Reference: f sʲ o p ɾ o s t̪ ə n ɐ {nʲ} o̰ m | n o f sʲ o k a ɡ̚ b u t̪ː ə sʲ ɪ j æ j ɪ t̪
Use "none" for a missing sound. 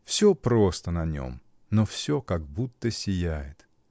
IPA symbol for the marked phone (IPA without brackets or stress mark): nʲ